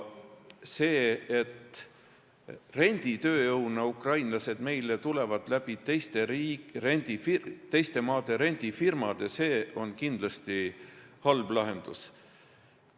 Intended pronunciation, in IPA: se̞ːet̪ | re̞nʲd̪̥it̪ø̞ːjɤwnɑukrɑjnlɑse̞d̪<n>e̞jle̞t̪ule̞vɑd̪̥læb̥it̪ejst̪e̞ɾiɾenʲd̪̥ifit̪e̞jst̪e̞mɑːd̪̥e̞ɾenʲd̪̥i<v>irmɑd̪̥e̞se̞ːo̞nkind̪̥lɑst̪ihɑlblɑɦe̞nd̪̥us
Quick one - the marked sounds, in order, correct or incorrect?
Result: incorrect, incorrect

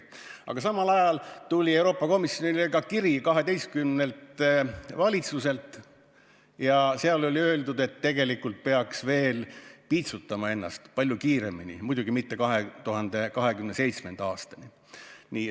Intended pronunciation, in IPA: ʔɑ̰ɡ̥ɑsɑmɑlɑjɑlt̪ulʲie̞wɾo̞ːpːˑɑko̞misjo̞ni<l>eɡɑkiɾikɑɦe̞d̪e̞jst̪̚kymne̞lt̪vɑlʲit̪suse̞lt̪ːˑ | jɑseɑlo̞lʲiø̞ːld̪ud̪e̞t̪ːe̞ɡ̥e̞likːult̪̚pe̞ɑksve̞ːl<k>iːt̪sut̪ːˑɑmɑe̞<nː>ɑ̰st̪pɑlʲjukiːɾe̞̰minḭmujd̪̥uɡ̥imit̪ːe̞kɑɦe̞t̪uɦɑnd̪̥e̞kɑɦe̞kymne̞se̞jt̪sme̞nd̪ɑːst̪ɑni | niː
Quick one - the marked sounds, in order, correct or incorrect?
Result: correct, incorrect, correct

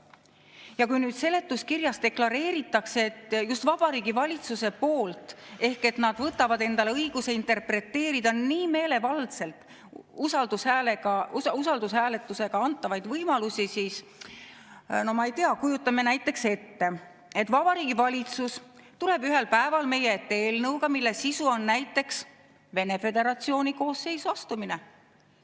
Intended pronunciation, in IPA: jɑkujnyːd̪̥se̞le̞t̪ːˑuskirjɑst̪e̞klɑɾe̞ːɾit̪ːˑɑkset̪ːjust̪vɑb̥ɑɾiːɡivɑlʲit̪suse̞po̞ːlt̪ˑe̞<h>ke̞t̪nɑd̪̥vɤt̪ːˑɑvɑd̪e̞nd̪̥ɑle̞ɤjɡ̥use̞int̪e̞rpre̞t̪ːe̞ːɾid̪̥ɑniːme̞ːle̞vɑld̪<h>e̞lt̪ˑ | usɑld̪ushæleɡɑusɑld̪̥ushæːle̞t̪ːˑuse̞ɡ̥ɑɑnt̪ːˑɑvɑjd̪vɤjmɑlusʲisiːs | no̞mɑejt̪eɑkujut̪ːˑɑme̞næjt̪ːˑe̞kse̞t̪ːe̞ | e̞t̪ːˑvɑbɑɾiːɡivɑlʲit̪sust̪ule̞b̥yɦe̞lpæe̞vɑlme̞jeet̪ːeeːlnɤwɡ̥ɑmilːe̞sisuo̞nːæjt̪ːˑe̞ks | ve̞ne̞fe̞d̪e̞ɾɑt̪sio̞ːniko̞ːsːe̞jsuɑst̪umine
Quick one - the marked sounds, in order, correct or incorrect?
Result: correct, incorrect

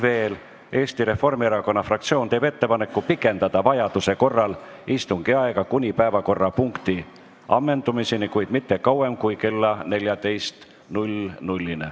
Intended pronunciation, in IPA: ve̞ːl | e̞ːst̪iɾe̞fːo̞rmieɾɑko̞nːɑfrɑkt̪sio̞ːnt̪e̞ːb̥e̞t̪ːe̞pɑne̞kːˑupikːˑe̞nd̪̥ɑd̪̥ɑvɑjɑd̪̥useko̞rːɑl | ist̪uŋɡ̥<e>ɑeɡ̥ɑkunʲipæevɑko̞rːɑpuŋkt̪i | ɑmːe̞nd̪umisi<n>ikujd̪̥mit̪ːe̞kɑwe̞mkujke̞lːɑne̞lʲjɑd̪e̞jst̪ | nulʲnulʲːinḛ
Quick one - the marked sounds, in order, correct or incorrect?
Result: incorrect, correct

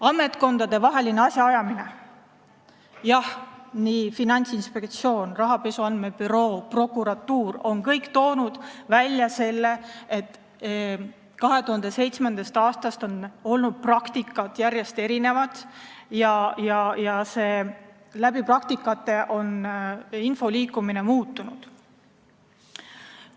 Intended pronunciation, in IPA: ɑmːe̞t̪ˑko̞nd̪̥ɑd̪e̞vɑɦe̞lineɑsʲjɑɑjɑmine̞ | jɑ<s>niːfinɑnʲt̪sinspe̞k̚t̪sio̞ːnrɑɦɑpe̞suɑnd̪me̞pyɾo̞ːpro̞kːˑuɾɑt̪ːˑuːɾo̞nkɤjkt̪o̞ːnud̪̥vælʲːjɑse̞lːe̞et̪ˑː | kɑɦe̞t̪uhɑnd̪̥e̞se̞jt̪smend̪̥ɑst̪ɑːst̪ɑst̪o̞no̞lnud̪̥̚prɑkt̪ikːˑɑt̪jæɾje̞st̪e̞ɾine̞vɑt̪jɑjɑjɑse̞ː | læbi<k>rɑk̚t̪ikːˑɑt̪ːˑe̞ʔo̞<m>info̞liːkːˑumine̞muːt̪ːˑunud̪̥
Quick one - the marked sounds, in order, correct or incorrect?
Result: incorrect, incorrect, incorrect

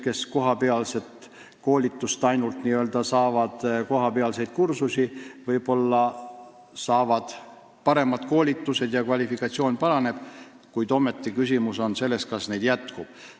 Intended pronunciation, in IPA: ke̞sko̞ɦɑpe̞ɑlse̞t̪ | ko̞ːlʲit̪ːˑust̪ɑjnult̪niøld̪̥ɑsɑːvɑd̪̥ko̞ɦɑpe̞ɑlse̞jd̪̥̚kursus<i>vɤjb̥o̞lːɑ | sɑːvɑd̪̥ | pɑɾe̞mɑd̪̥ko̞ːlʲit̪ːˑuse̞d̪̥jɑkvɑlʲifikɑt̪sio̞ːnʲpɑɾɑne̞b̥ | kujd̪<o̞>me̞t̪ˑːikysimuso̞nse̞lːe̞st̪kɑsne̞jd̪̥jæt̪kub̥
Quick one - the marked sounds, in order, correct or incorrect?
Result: correct, correct

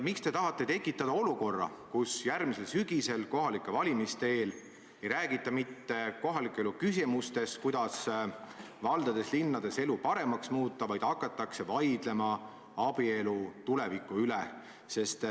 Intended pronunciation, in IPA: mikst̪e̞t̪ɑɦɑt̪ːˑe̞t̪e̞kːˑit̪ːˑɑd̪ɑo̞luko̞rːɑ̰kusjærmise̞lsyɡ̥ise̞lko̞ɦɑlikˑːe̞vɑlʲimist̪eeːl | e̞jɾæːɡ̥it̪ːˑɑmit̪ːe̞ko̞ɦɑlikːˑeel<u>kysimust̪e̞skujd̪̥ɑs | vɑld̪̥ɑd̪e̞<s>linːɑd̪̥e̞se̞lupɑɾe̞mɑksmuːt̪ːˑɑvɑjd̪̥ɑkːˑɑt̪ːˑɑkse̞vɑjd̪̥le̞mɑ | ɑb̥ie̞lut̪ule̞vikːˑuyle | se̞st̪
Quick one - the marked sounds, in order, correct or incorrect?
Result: correct, correct

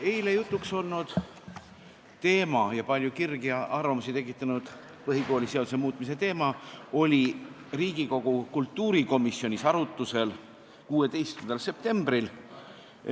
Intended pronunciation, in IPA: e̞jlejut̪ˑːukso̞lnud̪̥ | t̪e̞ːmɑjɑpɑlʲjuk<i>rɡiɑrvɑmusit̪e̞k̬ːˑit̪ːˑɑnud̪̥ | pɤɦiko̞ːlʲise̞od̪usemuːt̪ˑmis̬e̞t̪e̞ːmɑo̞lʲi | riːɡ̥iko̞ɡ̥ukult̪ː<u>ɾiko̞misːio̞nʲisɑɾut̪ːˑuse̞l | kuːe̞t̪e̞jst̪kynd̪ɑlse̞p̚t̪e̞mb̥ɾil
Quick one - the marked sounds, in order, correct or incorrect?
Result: correct, incorrect

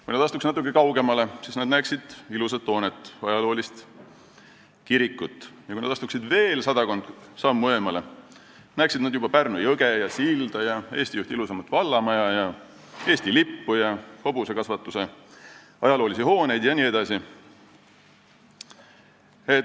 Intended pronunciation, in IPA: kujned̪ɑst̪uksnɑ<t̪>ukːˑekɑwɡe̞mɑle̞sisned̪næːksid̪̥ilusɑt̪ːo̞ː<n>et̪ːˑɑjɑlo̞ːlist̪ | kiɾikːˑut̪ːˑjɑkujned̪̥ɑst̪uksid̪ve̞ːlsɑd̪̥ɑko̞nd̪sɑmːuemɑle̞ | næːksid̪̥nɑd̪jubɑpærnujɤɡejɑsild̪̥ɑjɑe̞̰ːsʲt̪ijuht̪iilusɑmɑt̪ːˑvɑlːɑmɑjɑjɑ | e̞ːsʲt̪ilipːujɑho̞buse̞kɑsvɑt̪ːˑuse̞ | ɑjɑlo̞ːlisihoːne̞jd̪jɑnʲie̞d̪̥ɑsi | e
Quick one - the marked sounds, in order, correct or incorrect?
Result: correct, correct

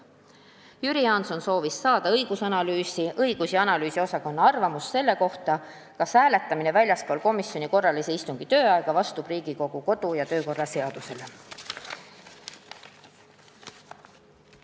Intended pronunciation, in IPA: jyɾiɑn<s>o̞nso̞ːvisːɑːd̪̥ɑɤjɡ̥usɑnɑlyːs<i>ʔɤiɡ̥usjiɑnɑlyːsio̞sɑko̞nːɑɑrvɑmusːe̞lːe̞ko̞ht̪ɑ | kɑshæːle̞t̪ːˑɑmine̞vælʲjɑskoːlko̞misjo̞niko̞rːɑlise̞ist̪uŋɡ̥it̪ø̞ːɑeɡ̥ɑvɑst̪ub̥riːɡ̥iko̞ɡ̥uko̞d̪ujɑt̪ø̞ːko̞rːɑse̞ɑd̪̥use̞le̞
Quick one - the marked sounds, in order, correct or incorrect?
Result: correct, correct

